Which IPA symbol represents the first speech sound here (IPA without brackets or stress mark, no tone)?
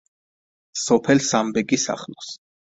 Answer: s